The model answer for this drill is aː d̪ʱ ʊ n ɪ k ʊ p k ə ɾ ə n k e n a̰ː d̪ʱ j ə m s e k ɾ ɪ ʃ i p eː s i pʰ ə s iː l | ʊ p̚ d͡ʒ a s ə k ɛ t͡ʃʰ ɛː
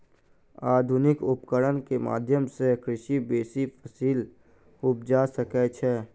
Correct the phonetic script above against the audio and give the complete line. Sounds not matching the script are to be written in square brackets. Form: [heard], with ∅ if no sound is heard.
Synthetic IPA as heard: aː d̪ʱ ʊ n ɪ k ʊ p k ə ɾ ə n k e [m] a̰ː d̪ʱ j ə m s e k ɾ ɪ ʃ i [b] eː s i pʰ ə s iː l | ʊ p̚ d͡ʒ a s ə k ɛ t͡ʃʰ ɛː